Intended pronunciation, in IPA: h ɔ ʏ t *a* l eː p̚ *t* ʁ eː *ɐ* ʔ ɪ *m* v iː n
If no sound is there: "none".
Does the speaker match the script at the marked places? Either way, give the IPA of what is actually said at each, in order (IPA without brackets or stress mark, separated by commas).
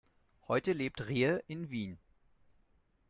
ə, t, ə, n